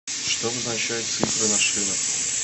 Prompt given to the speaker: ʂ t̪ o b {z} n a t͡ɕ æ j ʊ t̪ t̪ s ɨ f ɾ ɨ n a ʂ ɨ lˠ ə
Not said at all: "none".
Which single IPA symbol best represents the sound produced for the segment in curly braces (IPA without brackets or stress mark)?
z